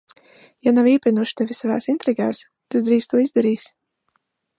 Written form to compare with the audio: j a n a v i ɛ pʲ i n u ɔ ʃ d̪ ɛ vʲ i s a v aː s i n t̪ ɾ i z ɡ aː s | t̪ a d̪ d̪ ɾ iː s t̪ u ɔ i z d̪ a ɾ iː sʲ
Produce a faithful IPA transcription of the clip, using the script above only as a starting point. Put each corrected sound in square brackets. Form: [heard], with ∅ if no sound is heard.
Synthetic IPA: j a n a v i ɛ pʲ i n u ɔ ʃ [t̪] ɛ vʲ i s a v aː s i n t̪ ɾ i [∅] ɡ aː s | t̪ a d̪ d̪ ɾ iː s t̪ u ɔ i z d̪ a ɾ iː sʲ